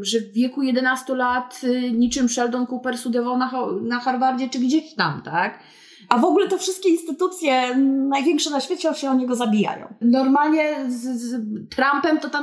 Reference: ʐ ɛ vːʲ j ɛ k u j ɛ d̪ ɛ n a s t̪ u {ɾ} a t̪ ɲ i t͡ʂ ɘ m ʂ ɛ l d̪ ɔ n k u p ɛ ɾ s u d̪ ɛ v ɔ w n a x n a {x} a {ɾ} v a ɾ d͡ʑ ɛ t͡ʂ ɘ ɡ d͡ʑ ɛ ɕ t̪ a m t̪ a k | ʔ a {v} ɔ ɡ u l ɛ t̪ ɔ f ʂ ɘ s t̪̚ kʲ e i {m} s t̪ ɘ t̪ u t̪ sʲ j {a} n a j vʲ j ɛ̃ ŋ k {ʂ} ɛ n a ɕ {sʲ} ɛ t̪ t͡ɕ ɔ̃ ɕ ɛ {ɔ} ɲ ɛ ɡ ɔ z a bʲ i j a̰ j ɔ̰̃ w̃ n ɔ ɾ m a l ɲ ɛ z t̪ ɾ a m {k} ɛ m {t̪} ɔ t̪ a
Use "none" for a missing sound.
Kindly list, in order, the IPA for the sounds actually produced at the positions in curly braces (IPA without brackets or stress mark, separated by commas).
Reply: l, x, ɾ, v, n, ɛ, ʂ, fʲ, ɔ, p, t̪